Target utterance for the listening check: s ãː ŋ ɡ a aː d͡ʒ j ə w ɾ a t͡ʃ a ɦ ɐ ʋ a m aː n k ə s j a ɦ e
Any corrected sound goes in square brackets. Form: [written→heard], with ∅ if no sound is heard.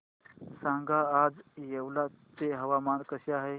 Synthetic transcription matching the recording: s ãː ŋ ɡ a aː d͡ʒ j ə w [ɾ→l] a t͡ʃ [a→e] ɦ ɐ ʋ a m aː n k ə s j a ɦ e